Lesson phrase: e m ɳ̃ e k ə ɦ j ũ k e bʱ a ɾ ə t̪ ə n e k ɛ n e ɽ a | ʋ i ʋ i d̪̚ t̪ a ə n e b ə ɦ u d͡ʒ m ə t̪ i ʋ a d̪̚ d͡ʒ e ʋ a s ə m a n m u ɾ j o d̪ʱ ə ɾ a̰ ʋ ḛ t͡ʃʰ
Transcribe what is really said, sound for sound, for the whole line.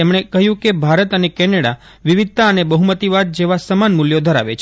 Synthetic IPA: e m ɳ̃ e k ə ɦ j ũ k e bʱ a ɾ ə t̪ ə n e k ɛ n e ɽ a | ʋ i ʋ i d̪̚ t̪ a ə n e b ə ɦ u m ə t̪ i ʋ a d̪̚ d͡ʒ e ʋ a s ə m a n m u l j o d̪ʱ ə ɾ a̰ ʋ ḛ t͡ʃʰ